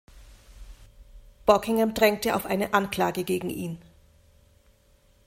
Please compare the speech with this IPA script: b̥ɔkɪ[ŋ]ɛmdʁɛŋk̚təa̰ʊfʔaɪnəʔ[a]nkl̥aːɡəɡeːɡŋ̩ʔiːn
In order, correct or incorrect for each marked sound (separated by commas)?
correct, correct